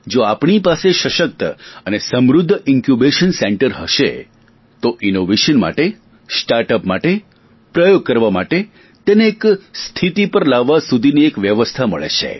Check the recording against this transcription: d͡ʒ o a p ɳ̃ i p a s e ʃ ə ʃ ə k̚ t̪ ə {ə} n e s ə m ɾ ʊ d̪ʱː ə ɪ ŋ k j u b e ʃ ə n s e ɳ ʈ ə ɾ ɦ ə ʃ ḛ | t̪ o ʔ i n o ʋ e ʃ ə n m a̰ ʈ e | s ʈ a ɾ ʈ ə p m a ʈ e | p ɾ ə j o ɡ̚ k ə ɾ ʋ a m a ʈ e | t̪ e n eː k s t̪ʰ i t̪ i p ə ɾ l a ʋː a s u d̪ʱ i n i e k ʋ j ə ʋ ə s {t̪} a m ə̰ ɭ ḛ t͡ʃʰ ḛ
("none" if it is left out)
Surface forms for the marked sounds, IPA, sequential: ə, t̪ʰ

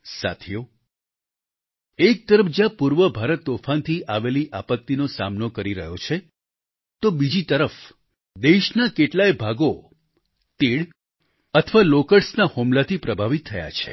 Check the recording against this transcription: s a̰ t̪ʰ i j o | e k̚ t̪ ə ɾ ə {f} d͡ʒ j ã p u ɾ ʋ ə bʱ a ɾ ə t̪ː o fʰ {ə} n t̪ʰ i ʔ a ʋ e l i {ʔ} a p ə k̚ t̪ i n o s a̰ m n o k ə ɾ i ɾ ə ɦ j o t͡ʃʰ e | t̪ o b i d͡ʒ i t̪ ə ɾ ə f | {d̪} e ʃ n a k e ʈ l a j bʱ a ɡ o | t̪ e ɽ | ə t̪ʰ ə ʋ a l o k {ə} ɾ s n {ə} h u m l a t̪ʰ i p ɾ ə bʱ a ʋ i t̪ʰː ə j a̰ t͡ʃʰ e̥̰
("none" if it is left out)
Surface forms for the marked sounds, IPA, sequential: f, a, ʔ, d̪, ə, a

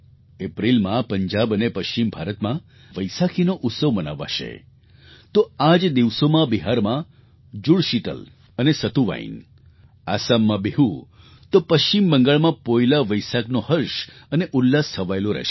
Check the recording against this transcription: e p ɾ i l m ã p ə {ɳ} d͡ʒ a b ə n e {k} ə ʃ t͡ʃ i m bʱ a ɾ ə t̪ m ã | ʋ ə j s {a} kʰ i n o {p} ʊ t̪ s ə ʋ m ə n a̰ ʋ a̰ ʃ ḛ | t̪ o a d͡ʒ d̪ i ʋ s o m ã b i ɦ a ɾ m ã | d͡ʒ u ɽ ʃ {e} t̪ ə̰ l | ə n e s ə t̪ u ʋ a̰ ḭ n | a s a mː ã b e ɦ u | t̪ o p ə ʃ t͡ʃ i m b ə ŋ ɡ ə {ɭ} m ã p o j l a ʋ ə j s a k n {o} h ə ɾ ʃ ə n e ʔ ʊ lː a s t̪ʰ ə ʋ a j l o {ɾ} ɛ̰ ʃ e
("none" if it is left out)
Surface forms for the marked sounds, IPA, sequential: ɲ, p, a, ʔ, i, ɭ, o, ɾ

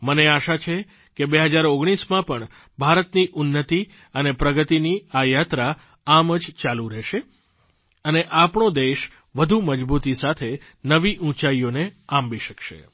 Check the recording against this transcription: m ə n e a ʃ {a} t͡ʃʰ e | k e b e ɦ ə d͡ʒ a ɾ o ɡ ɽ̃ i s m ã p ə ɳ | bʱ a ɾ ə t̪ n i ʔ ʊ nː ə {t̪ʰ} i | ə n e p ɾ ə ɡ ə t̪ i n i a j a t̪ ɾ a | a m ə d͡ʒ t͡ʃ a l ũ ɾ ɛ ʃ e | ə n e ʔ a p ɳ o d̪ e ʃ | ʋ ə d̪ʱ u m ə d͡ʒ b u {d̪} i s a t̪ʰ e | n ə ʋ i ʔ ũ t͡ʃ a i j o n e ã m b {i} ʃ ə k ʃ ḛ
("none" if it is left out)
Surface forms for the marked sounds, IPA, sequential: a, t̪, t̪, i

